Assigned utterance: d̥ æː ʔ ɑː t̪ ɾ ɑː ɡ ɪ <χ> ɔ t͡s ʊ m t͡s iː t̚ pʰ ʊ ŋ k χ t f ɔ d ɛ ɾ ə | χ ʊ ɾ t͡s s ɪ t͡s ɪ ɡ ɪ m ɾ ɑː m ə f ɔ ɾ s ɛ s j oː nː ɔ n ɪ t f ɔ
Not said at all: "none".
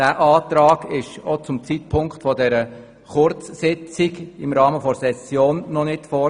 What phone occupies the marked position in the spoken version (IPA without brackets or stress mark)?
ʃ